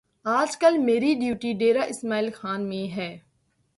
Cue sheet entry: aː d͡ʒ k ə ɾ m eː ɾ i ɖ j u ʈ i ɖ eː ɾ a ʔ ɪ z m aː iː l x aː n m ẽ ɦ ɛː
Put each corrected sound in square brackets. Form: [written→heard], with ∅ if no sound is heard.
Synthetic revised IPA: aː d͡ʒ k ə [ɾ→l] m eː ɾ i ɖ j [u→uː] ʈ i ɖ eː ɾ a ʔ ɪ [z→s] m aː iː l x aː n m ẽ ɦ ɛː